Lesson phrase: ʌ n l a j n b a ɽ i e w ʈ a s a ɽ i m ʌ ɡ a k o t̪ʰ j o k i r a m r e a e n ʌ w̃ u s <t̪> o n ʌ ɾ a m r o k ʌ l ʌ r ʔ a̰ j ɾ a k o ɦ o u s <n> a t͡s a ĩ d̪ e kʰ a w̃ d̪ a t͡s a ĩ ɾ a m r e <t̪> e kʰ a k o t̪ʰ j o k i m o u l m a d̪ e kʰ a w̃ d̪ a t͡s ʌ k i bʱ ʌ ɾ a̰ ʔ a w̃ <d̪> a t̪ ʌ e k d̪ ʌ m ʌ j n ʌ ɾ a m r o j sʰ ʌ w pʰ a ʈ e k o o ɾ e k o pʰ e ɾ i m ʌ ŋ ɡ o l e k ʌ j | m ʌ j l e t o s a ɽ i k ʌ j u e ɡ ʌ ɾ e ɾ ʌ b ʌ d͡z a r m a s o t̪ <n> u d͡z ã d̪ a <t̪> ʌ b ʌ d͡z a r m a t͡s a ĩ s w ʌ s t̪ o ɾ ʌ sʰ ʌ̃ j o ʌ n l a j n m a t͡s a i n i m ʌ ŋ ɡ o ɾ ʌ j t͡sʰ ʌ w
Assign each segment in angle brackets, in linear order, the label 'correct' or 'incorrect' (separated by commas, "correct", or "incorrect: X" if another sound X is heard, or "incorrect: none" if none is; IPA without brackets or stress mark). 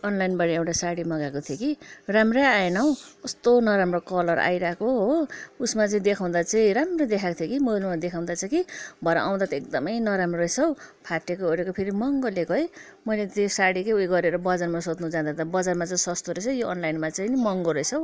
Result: correct, incorrect: m, incorrect: d̪, correct, correct, correct